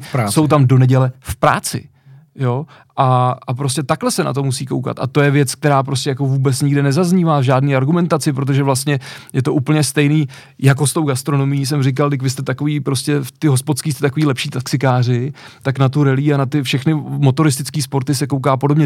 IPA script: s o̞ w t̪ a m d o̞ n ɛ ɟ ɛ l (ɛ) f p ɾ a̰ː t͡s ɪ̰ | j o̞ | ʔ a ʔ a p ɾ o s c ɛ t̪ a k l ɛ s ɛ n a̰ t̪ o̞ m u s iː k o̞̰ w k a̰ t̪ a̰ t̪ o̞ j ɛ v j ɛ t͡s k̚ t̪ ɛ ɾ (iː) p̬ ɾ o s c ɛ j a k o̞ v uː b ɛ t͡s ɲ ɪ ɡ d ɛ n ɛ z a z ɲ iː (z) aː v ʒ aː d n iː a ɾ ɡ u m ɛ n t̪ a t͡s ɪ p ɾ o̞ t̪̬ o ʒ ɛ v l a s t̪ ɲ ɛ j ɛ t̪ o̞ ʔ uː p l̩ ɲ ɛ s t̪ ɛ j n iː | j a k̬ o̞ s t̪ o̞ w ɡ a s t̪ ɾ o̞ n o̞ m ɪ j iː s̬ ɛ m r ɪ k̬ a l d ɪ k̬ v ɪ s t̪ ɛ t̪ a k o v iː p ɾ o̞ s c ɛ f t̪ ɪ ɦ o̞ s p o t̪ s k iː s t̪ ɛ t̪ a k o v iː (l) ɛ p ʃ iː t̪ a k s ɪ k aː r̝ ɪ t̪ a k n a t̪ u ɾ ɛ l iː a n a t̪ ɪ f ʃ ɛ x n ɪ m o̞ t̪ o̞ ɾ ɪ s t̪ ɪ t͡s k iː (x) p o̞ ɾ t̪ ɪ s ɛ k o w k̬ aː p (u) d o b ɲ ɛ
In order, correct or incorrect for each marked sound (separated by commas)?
correct, incorrect, incorrect, correct, incorrect, incorrect